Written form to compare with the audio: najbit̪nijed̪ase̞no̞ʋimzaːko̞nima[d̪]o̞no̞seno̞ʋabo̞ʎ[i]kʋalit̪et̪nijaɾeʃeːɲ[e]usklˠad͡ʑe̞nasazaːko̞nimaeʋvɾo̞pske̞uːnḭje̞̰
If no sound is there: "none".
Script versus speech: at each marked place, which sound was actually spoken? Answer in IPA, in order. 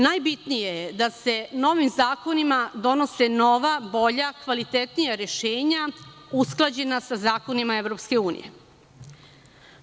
d̪, a, a

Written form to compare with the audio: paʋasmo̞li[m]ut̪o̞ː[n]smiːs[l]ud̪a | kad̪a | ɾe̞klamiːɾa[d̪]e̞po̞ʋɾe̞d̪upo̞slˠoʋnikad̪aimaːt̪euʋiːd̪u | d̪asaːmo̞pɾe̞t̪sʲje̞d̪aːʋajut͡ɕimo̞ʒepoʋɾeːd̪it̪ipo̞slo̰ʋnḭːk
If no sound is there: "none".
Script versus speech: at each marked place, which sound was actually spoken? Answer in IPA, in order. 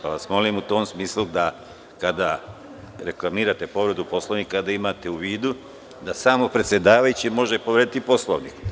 m, m, l, t̪

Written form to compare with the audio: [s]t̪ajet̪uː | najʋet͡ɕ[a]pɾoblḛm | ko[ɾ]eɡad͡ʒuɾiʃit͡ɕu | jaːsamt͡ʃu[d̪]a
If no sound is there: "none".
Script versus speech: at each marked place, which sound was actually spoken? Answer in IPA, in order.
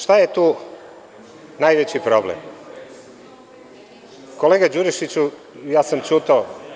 ʃ, i, l, t̪

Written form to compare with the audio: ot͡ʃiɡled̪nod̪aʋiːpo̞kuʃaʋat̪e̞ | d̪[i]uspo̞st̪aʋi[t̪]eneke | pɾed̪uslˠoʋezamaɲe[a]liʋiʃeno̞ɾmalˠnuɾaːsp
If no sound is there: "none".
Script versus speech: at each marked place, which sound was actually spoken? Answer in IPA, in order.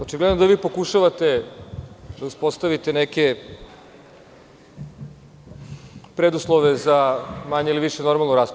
a, t̪, i

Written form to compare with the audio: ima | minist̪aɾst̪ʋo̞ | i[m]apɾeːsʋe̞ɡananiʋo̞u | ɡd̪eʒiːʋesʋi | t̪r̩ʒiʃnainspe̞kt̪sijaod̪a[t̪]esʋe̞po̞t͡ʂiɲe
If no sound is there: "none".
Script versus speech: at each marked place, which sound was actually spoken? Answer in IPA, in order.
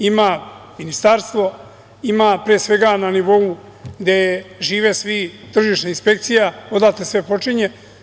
m, t̪

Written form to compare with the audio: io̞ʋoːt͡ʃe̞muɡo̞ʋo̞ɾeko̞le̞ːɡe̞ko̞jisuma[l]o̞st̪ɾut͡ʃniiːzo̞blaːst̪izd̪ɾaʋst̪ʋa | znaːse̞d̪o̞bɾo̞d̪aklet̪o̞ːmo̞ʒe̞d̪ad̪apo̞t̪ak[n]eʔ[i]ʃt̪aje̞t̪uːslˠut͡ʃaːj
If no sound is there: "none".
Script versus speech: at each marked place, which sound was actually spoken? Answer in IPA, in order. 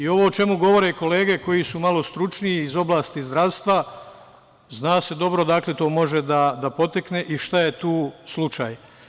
l, n, i

